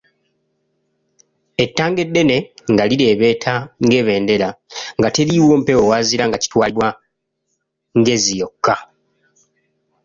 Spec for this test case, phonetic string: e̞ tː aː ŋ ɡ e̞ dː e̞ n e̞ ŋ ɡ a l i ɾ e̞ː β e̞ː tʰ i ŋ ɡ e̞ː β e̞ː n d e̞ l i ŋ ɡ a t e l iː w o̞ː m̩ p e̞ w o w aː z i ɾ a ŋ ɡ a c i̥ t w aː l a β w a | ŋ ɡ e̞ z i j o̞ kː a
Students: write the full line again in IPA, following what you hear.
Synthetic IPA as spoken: e̞ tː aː ŋ ɡ e̞ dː e̞ n e̞ ŋ ɡ a l i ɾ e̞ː β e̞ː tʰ a ŋ ɡ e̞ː β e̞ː n d e̞ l a ŋ ɡ a t e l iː w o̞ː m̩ p e̞ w o w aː z i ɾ a ŋ ɡ a c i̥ t w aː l i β w a | ŋ ɡ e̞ z i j o̞ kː a